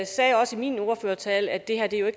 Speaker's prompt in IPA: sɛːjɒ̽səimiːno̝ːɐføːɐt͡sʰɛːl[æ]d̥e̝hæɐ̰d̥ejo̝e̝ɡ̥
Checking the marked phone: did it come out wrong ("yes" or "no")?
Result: no